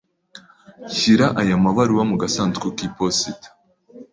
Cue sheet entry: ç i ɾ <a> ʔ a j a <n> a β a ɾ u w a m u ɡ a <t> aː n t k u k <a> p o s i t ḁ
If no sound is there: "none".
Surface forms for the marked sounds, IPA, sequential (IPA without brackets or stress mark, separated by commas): a, m, s, i